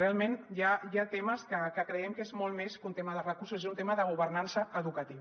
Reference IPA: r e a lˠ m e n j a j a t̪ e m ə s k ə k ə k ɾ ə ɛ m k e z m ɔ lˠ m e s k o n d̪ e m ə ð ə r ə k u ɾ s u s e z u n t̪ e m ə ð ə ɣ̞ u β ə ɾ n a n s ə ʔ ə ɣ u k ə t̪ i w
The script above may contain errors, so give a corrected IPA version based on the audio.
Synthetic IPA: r e a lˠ m e n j a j a t̪ e m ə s k ə k ə k ɾ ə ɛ m k e z m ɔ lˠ m e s k u n t̪ e m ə ð ə r ə k u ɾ s u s e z u n t̪ e m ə ð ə ɣ̞ u β ə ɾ n a n s ə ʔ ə ð u k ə t̪ i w

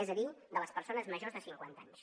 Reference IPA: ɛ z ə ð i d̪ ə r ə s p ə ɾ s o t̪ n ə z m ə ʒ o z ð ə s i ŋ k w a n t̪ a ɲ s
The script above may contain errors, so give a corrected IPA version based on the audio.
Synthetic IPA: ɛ z ə ð i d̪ ə l ə s p ə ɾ s o n ə z m ə ʒ o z ð ə s i ŋ k w a n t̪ a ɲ s

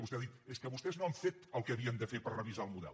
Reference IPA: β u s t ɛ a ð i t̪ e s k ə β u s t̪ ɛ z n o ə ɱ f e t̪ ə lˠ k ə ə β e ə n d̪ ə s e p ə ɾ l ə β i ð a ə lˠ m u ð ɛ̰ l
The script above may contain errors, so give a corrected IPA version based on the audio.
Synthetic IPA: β u s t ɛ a ð i t̪ e s k ə β u s t̪ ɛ z n o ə ɱ f e t̪ ə lˠ k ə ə β i ə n d̪ ə f e p ə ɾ r ə β i z a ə lˠ m u ð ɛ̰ l

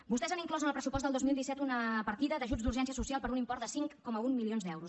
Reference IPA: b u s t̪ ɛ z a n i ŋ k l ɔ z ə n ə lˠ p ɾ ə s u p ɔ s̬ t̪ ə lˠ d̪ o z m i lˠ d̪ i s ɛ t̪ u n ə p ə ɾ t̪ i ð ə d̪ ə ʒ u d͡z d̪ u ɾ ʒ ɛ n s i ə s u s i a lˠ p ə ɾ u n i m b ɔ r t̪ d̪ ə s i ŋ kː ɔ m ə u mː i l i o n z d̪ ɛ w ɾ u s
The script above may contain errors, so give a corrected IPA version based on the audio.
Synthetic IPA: b u s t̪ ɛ z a n i ŋ k l ɔ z ə n ə lˠ p ɾ ə s u p ɔ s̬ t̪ ə lˠ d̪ o z m i lˠ d̪ i s ɛ t̪ u n ə p ə ɾ t̪ i ð ə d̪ ə ʒ u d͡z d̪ u ɾ ʒ ɛ n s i ə s u s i a lˠ p ə ɾ u n i m p ɔ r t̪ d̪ ə s i ŋ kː ɔ m ə u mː i l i o n z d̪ ɛ w ɾ u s

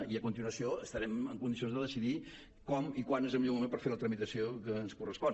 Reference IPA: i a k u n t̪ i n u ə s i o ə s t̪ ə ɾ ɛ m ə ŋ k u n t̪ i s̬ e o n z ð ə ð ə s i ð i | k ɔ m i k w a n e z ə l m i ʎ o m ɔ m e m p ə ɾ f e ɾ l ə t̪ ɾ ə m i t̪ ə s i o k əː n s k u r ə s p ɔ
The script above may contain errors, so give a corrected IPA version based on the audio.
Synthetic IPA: i ə k u n t̪ i n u ə s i o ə s t̪ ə ɾ ɛ m ə ŋ k u n d̪ i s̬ i o n z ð ə ð ə s i ð i | k ɔ m i k w a n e z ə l m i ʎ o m u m e m p ə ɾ f e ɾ l ə t̪ ɾ ə m i t̪ ə s i o k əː n s k u r ə s p ɔ

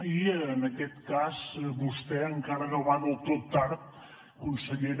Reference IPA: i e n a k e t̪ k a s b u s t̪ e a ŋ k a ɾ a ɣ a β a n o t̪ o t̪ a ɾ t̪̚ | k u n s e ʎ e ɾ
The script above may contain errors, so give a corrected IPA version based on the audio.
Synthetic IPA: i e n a k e t̪ k a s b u s t̪ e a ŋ k a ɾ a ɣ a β a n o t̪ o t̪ a ɾ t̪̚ | k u n s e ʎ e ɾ

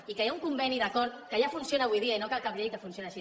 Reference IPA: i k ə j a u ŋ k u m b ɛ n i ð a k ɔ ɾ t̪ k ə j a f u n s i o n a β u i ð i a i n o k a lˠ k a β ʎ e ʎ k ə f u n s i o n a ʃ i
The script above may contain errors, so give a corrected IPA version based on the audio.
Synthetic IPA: i k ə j a u ŋ k u m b ɛ n i ð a k ɔ ɾ t̪ k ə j a f u n s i o n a β u j ð i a i n o k a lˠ k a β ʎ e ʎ k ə f u n s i o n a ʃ i

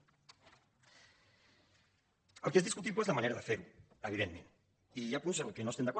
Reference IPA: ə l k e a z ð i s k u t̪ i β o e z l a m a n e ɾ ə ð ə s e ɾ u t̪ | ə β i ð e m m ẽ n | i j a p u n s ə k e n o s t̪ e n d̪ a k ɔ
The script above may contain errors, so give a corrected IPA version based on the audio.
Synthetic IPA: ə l k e e z ð i s k u t̪ i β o e z l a m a n e ɾ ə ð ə f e ɾ u | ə β i ð e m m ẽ n | i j a p u n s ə k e n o s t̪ e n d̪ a k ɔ

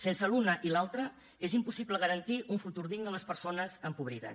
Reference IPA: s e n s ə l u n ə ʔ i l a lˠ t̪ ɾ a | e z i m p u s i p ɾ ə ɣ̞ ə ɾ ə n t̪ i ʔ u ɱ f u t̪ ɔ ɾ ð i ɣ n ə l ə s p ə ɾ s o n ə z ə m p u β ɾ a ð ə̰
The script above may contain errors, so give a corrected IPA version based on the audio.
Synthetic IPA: s e n s ə l u n ə ʔ i l a lˠ t̪ ɾ ə | e z i m p u s i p l ə ɣ̞ ə ɾ ə n t̪ i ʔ u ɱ f u t̪ u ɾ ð i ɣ n ə l ə s p ə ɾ s o n ə z ə m p u β ɾ i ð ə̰

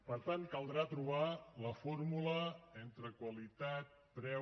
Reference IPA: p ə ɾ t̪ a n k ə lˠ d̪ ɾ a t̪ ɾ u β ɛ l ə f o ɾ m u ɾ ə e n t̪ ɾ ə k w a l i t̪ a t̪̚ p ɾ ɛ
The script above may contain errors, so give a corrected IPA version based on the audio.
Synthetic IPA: p ə ɾ t̪ a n k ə lˠ d̪ ɾ a t̪ ɾ u β a l ə f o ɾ m u l ə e n t̪ ɾ ə k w ə l i t̪ a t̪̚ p ɾ ɛ

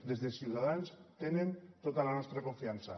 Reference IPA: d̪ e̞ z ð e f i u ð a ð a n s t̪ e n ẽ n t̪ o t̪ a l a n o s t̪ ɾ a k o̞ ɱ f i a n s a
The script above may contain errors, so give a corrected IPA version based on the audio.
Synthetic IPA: d̪ e̞ z ð e s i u ð a ð a n s t̪ e n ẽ n t̪ o t̪ a l a n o s t̪ ɾ a k o̞ ɱ f i a n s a

